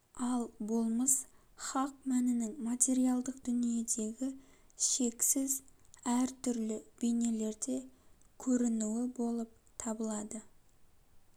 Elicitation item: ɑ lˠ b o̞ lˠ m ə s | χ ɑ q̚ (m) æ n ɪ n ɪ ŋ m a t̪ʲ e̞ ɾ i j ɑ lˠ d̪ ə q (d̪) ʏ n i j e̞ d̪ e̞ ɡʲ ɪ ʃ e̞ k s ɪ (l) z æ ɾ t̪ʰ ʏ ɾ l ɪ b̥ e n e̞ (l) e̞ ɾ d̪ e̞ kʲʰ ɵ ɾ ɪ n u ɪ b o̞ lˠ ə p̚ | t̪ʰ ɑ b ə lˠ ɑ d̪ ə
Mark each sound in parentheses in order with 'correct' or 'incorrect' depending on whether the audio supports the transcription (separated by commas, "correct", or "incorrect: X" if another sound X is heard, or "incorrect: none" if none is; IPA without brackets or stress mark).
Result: correct, correct, incorrect: none, correct